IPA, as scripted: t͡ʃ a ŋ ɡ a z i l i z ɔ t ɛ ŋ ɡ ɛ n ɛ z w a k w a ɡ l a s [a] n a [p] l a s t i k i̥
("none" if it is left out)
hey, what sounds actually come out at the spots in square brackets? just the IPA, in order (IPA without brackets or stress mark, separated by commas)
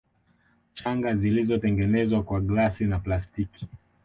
i, p